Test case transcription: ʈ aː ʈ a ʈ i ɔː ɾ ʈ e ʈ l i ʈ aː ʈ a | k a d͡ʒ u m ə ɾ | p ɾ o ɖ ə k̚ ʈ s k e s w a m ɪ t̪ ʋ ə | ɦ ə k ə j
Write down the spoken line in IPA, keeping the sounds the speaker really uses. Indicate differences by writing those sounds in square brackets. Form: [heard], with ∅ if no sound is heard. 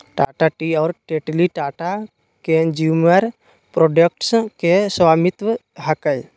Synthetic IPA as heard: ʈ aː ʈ a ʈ i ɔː ɾ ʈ e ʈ l i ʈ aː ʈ a | k [e] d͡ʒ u m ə ɾ | p ɾ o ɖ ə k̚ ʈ s k e s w a m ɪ t̪ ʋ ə | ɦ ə k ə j